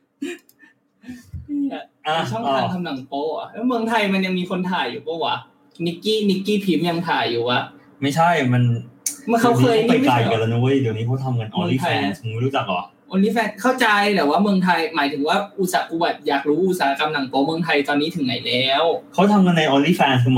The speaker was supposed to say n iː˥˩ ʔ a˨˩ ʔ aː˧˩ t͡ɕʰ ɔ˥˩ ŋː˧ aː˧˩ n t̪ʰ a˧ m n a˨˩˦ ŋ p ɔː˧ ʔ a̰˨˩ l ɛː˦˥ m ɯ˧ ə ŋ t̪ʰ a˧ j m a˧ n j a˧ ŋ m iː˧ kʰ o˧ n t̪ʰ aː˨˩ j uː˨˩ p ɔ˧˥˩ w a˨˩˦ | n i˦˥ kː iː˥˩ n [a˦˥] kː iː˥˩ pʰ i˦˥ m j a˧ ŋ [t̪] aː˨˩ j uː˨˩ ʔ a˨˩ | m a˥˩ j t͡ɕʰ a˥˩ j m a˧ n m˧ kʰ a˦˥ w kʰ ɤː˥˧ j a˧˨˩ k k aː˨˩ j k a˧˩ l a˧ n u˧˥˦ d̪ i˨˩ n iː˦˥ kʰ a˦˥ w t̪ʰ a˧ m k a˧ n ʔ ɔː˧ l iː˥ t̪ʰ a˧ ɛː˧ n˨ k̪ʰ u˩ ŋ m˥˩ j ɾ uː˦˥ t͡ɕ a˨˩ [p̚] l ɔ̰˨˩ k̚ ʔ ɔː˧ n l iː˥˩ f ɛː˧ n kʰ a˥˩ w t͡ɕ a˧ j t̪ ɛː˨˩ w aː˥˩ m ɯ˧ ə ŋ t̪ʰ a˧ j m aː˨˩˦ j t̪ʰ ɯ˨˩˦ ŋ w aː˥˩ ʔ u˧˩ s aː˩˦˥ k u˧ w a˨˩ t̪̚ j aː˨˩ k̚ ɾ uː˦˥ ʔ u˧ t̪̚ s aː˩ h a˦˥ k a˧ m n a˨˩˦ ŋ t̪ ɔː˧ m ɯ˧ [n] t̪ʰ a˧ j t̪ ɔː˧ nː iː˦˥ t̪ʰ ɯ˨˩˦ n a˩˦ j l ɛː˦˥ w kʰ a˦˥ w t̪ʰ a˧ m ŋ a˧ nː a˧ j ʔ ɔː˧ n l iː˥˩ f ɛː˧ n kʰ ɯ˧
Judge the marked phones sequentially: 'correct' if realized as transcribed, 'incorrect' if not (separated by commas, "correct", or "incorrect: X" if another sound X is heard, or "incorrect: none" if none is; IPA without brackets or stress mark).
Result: incorrect: i˦˥, incorrect: t̪ʰ, incorrect: k̚, incorrect: ŋ